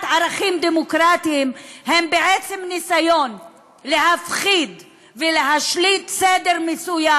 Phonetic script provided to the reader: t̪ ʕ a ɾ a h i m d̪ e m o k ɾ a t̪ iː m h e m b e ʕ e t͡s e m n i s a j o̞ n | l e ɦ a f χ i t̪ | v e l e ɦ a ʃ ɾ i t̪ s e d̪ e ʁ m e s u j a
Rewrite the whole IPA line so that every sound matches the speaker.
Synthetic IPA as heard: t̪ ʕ a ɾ a χ i m d̪ e m o k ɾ a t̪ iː m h e m b e ʕ e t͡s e m n i s a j o̞ n | l e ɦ a f χ i d̪ | v e l e ɦ a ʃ l i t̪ s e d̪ e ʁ m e s u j a